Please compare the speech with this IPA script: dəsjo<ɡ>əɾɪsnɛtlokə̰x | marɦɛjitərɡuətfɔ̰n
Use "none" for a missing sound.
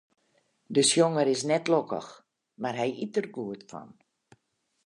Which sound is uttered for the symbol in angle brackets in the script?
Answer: ŋ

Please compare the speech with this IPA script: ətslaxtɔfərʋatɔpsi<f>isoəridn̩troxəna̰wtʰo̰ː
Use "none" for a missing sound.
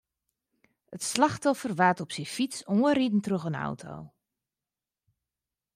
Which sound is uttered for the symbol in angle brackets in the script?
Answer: f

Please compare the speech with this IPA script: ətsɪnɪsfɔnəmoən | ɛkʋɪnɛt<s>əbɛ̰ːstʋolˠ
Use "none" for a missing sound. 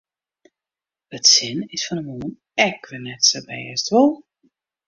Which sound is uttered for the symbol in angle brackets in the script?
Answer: s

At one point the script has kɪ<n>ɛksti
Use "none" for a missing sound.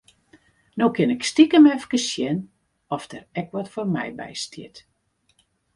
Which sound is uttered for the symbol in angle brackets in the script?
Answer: n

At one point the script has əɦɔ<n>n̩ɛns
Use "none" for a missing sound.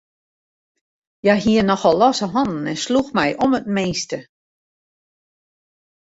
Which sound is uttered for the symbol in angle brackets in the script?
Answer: n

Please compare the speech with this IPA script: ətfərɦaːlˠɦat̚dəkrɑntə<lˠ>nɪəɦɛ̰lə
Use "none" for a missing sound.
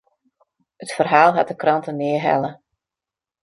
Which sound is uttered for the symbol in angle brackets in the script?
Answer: none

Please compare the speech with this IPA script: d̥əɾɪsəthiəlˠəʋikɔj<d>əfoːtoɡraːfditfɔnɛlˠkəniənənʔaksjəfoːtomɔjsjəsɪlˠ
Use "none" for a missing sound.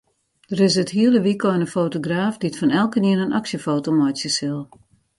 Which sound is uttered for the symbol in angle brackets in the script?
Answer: n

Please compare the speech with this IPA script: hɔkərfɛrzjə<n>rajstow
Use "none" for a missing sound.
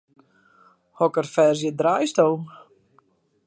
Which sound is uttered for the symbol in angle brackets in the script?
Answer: d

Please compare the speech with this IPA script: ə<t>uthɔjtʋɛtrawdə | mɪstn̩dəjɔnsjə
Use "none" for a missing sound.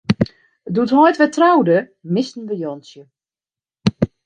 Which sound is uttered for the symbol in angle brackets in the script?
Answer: d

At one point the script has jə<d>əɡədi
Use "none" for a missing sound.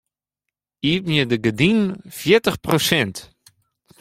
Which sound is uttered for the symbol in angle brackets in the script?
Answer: d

